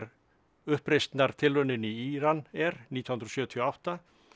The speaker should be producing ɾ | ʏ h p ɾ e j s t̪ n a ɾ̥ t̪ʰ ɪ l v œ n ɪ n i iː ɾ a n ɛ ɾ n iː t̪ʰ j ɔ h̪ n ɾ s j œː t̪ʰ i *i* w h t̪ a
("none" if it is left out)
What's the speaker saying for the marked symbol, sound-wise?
a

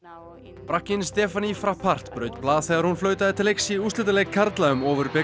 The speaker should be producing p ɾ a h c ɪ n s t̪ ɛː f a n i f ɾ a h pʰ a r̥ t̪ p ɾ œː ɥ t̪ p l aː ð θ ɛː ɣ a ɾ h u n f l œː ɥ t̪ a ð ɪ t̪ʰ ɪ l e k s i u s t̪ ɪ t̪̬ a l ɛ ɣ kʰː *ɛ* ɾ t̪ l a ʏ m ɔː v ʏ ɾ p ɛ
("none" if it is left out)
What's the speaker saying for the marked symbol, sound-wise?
a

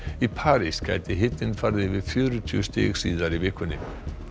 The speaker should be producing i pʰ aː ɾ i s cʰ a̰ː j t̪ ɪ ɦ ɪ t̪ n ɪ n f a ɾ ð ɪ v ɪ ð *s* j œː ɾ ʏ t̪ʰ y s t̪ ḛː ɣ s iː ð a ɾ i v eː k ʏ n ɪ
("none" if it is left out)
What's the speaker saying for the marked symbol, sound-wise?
f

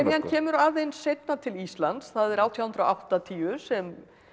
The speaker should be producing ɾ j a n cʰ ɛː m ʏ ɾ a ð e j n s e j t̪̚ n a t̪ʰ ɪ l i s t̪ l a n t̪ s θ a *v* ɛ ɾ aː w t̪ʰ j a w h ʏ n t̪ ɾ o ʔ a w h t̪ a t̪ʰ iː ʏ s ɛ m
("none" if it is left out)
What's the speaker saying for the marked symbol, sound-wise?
ð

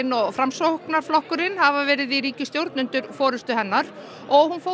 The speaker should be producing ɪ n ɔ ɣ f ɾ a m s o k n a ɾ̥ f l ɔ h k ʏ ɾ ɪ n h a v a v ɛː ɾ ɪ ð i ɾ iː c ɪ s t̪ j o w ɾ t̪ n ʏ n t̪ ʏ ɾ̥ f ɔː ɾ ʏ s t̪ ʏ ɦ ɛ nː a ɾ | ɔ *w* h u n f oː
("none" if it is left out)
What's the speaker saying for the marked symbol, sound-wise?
ɣ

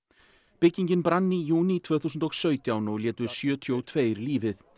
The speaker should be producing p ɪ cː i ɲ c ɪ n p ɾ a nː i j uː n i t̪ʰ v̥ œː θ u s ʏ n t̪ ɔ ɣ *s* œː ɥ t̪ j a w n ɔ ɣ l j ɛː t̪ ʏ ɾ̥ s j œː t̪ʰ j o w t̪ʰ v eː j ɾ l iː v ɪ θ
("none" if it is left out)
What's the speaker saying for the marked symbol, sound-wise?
s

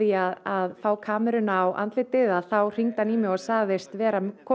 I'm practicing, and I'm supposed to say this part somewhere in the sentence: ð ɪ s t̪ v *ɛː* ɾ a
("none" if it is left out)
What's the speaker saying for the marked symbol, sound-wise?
ɛː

